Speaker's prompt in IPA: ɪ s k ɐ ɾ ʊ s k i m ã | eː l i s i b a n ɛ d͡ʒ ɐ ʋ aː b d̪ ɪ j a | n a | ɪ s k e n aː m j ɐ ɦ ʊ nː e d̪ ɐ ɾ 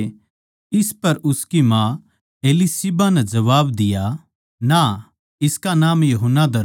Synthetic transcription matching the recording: ɪ s p ɐ ɾ ʊ s k i m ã | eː l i s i b a n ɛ d͡ʒ ɐ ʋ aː b d̪ ɪ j a | n a | ɪ s k a n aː m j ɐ ɦ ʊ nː a d̪ ɐ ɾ

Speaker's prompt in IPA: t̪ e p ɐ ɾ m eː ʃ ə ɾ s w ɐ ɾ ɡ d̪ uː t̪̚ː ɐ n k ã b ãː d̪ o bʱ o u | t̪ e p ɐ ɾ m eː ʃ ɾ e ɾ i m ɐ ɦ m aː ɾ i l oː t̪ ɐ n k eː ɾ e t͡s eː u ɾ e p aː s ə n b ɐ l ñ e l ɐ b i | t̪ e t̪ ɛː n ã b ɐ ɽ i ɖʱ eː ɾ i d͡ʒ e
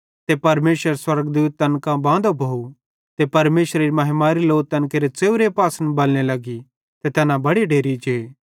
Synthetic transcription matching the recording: t̪ e p ɐ ɾ m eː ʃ ə ɾ s w ɐ ɾ ɡ d̪ uː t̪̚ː ɐ n k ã b ãː d̪ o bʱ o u | t̪ e p ɐ ɾ m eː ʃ ɾ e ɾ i m ɐ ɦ m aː ɾ i l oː t̪ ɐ n k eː ɾ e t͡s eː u ɾ e p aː s ə n b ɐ l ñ e l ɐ ɡ i | t̪ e t̪ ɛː n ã b ɐ ɽ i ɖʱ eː ɾ i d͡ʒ e

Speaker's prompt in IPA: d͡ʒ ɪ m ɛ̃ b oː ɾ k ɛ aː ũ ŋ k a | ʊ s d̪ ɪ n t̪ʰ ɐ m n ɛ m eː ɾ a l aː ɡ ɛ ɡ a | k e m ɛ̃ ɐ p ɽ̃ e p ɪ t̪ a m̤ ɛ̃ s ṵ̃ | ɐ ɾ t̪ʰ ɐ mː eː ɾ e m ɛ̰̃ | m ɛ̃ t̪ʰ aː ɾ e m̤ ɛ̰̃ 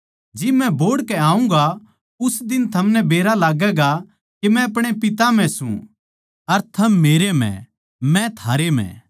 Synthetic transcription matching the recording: d͡ʒ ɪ m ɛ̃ b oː ɽ k ɛ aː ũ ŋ ɡ a | ʊ s d̪ ɪ n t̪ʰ ɐ m n ɛ b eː ɾ a l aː ɡ ɛ ɡ a | k e m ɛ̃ ɐ p ɽ̃ e p ɪ t̪ a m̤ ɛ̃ s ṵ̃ | ɐ ɾ t̪ʰ ɐ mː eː ɾ e m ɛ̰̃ | m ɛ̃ t̪ʰ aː ɾ e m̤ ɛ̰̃

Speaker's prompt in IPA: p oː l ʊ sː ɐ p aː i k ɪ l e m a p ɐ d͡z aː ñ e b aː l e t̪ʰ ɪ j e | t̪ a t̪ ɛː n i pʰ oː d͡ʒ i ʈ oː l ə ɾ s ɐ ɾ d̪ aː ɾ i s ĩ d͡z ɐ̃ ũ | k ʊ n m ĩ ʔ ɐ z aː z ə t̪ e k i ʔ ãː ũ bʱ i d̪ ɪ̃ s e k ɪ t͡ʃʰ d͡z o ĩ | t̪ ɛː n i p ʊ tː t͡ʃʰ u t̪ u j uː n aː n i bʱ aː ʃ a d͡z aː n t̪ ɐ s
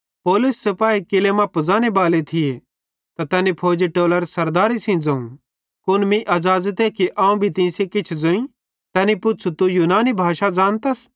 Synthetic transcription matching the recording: p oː l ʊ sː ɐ p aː i k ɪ l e m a p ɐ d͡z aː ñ e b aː l e t̪ʰ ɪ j e | t̪ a t̪ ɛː n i pʰ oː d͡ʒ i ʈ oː l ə ɾ s ɐ ɾ d̪ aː ɾ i s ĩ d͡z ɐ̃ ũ | k ʊ n m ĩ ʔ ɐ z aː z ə t̪ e k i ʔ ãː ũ bʱ i t̪ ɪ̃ s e k ɪ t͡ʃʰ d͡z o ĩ | t̪ ɛː n i p ʊ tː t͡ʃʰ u t̪ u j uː n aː n i bʱ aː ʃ a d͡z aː n t̪ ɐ s

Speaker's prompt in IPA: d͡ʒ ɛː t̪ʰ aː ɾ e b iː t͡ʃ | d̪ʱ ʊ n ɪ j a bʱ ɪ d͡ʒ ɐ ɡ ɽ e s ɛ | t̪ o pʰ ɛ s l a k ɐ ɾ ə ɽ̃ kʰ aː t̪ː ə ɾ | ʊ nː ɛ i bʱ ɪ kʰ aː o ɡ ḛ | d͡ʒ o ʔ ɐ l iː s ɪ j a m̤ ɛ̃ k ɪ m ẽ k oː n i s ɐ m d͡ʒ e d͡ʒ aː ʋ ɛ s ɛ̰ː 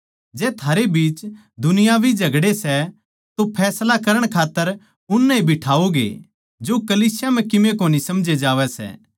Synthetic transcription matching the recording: d͡ʒ ɛː t̪ʰ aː ɾ e b iː t͡ʃ | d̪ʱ ʊ n ɪ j a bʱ i d͡ʒ ɐ ɡ ɽ e s ɛ | t̪ o pʰ ɛː s l a k ɐ ɾ ə ɽ̃ kʰ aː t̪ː ə ɾ | ʊ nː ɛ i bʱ ɪ ʈʰ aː o ɡ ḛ | d͡ʒ o k ɐ l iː s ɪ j a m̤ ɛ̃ k ɪ m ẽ k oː n i s ɐ m d͡ʒ e d͡ʒ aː ʋ ɛ s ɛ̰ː

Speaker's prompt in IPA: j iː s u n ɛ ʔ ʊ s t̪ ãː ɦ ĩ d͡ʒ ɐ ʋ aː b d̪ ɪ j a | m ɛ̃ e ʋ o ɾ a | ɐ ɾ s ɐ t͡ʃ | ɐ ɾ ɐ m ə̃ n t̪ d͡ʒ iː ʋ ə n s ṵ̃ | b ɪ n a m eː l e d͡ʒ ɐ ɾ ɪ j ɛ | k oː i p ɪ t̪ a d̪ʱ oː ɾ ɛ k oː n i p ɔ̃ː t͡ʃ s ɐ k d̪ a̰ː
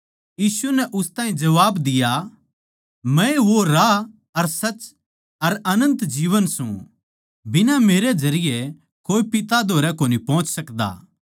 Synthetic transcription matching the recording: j iː s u n ɛ ʔ ʊ s t̪ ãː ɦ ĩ d͡ʒ ɐ ʋ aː b d̪ ɪ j a | m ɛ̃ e ʋ o ɾ a | ɐ ɾ s ɐ t͡ʃ | ɐ ɾ ɐ n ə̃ n t̪ d͡ʒ iː ʋ ə n s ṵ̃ | b ɪ n a m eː ɾ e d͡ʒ ɐ ɾ ɪ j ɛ | k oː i p ɪ t̪ a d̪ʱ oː ɾ ɛ k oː n i p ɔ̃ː t͡ʃ s ɐ k d̪ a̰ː

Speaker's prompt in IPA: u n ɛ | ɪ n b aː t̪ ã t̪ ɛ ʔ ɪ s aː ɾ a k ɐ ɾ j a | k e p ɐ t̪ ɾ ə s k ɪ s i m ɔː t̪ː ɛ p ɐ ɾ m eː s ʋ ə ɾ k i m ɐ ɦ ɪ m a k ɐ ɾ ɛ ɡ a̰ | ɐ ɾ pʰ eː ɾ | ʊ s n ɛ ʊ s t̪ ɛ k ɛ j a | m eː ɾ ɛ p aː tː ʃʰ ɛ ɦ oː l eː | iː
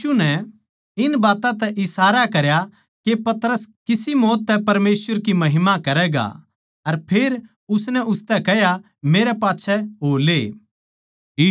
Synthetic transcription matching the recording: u n ɛ | ɪ n b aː t̪ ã t̪ ɛ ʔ ɪ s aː ɾ a k ɐ ɾ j a | k e p ɐ t̪ ɾ ə s k ɪ s i m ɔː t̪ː ɛ p ɐ ɾ m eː s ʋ ə ɾ k i m ɐ ɦ ɪ m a k ɐ ɾ ɛ ɡ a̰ | ɐ ɾ pʰ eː ɾ | ʊ s n ɛ ʊ s t̪ ɛ k ɛ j a | m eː ɾ ɛ p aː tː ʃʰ ɛ ɦ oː l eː | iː

